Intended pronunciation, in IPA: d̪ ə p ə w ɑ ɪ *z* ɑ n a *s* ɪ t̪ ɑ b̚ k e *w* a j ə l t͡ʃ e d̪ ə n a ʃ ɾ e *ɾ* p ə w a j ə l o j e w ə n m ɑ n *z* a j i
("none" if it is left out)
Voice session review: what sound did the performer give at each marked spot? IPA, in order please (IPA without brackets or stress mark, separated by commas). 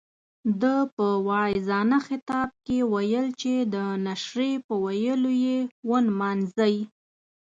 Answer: z, x, w, none, z